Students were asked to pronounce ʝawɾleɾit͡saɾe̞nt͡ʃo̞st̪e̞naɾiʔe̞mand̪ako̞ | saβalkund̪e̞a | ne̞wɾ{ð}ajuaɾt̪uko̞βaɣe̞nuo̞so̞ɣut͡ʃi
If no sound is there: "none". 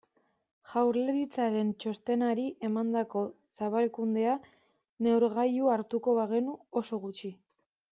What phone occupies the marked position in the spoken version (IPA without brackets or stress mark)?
ɣ